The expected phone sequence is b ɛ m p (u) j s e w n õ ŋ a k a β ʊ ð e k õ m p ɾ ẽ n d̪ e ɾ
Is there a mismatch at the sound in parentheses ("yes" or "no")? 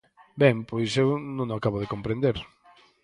yes